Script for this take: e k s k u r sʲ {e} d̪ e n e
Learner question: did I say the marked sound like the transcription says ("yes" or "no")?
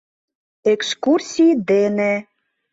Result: no